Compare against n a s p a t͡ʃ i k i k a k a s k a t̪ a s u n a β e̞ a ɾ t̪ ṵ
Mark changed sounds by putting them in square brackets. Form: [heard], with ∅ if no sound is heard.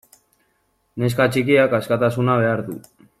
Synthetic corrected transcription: n [e] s [k] a t͡ʃ i k i [∅] a k a s k a t̪ a s u n a β e̞ a ɾ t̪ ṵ